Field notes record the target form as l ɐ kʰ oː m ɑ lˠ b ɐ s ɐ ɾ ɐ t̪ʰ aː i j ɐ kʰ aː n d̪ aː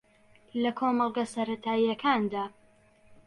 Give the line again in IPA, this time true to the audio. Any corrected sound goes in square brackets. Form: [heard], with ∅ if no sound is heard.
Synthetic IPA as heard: l ɐ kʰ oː m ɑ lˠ [ɡ] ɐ s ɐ ɾ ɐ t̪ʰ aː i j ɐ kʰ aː n d̪ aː